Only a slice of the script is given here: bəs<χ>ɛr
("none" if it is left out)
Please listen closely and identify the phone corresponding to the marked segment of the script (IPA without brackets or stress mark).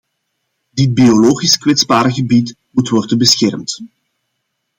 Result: x